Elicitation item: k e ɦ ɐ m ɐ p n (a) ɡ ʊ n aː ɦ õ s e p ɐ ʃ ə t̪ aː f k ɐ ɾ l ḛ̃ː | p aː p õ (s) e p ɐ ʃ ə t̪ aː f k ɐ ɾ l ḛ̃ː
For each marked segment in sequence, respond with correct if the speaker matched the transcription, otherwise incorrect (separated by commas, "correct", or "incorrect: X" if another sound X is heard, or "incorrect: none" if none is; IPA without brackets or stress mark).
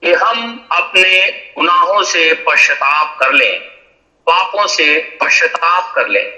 incorrect: e, correct